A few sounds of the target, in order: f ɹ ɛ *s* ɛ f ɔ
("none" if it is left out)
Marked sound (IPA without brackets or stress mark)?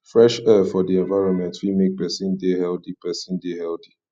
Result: ʃ